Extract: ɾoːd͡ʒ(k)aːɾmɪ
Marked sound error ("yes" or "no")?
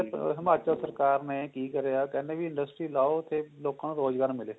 yes